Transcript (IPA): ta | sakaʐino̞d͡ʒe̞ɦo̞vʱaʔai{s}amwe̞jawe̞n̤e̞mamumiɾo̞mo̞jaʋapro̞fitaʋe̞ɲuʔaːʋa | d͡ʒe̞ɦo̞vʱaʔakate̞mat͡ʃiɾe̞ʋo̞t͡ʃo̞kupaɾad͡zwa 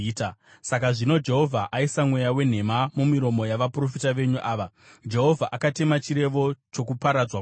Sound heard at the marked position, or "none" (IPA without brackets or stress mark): s